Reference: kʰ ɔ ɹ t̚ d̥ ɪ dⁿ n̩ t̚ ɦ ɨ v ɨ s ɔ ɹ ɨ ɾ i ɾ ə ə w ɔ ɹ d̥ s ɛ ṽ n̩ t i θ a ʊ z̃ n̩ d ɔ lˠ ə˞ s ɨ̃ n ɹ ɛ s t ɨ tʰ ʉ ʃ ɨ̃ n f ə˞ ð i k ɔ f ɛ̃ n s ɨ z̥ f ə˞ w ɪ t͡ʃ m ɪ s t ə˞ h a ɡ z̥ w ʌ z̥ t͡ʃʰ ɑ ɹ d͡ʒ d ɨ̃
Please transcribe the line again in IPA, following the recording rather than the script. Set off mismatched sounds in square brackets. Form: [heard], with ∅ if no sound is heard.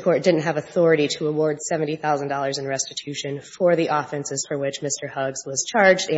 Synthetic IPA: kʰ ɔ ɹ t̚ d̥ ɪ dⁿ n̩ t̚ ɦ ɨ v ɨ [θ] ɔ ɹ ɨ ɾ i ɾ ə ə w ɔ ɹ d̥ s ɛ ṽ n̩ t i θ a ʊ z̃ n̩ d ɔ lˠ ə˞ [z] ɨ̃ n ɹ ɛ s t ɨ tʰ ʉ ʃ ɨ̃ n f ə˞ ð i [ʔ] ɔ f ɛ̃ n s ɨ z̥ f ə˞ w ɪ t͡ʃ m ɪ s t ə˞ h [ʌ] ɡ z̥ w ʌ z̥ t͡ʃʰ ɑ ɹ d͡ʒ d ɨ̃